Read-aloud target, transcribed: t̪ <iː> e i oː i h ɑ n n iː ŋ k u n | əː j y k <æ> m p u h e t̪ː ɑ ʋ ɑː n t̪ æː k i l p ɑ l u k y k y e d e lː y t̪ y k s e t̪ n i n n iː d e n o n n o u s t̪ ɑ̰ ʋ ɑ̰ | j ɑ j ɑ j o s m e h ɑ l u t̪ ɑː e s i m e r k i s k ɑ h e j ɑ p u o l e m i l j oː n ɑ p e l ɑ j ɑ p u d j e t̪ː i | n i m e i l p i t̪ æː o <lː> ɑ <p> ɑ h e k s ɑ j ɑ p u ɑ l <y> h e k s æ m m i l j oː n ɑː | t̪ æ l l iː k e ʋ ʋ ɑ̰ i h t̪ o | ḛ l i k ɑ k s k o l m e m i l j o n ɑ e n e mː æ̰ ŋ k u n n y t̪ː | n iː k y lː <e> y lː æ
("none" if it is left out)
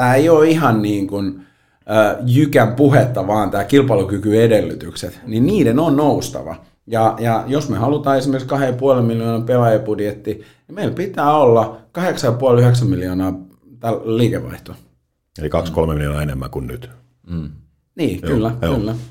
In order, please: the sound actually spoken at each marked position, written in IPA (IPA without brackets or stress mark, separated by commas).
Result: æː, æ, lː, k, y, æ